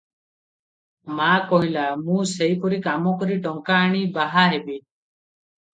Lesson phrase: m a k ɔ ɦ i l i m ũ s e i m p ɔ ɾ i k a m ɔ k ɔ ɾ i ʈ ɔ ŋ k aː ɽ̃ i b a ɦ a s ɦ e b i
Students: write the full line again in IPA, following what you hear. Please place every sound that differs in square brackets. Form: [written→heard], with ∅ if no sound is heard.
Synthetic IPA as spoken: m a k ɔ ɦ i l [i→a] m ũ s e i [m→∅] p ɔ ɾ i k a m ɔ k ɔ ɾ i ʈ ɔ ŋ k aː ɽ̃ i b a ɦ a [s→∅] ɦ e b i